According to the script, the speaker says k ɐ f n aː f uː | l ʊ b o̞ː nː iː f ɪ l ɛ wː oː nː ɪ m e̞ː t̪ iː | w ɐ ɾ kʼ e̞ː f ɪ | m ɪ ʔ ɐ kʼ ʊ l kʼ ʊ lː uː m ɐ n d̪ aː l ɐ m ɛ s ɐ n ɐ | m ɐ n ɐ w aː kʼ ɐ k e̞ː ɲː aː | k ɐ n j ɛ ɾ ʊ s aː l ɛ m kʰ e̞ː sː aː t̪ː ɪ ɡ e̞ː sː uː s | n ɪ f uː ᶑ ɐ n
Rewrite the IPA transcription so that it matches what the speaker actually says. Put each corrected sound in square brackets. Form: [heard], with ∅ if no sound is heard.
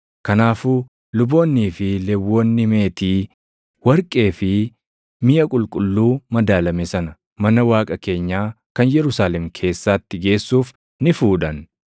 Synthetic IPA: k ɐ [∅] n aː f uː | l ʊ b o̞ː nː iː f ɪ l ɛ wː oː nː ɪ m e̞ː t̪ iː | w ɐ ɾ kʼ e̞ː f ɪ | m ɪ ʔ ɐ kʼ ʊ l kʼ ʊ lː uː m ɐ [∅] d̪ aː l ɐ m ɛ s ɐ n ɐ | m ɐ n ɐ w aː kʼ ɐ k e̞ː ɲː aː | k ɐ n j ɛ ɾ ʊ s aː l ɛ m kʰ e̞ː sː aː t̪ː ɪ ɡ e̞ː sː uː [f] | n ɪ f uː ᶑ ɐ n